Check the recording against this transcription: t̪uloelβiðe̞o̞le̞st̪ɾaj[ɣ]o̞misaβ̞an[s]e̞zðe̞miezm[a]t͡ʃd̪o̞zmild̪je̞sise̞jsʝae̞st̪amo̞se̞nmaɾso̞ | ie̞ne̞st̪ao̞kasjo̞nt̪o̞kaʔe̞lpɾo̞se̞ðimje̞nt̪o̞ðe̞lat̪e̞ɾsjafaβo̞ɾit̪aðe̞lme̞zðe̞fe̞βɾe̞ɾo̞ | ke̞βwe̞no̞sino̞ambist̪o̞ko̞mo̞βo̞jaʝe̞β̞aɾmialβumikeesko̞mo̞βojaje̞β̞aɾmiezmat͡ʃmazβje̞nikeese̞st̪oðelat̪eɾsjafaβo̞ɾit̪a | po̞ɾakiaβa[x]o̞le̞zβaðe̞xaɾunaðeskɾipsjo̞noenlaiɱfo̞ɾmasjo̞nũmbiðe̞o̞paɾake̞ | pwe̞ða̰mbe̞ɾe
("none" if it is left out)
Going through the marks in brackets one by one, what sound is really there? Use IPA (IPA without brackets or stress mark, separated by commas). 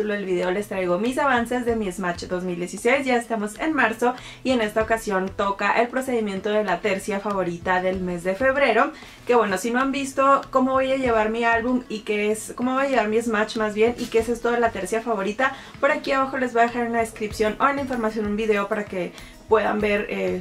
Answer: ɣ, s, a, x